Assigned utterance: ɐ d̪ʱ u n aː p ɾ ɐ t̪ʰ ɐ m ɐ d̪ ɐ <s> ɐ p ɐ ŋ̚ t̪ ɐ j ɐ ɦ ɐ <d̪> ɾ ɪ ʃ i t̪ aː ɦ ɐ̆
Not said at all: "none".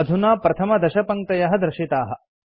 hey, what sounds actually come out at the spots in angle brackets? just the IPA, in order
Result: ʃ, d̪

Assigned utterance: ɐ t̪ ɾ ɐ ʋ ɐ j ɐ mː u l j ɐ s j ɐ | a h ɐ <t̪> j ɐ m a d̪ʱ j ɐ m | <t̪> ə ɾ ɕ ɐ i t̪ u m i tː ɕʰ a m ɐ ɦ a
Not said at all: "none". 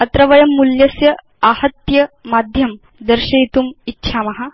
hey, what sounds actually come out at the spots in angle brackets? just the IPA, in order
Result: t̪, d̪

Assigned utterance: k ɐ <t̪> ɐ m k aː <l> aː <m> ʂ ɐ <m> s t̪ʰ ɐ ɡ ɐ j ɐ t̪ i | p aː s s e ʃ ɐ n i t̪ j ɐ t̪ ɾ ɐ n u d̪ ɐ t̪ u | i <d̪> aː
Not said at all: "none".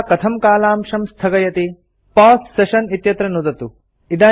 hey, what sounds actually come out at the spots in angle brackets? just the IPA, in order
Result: t̪ʰ, l, m, m, d̪

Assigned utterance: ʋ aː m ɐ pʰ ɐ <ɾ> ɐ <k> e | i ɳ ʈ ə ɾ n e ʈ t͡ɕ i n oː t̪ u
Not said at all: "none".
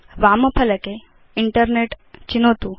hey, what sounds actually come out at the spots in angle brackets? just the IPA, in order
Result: l, k

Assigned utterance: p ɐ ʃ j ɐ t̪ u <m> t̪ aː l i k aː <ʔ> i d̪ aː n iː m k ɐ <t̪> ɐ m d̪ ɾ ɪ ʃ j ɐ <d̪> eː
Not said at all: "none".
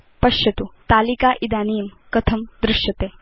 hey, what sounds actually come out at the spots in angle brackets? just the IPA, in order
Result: none, ʔ, t̪ʰ, t̪

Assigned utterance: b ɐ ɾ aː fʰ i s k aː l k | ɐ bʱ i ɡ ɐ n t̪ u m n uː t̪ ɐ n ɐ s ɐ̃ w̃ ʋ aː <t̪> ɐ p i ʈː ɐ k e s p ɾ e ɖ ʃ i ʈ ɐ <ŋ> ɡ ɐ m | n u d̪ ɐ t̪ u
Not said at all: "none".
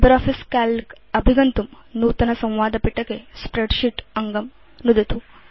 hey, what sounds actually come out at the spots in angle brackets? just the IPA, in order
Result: d̪, ŋ

